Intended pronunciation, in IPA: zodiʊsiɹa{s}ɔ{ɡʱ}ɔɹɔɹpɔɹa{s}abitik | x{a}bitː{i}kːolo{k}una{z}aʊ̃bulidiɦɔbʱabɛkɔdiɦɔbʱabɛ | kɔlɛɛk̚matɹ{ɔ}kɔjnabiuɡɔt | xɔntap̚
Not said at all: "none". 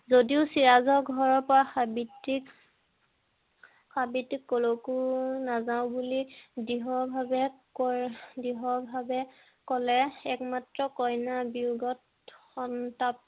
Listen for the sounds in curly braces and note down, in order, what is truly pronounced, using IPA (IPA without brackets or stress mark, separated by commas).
z, ɡʱ, x, a, i, k, z, ɔ